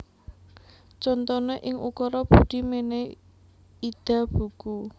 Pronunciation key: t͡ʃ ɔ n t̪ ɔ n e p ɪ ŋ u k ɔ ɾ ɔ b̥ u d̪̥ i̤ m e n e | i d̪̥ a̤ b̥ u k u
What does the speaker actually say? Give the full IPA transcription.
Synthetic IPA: t͡ʃ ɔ n t̪ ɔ n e ʔ ɪ ŋ u k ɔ ɾ ɔ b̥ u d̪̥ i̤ m e n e | i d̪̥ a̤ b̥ u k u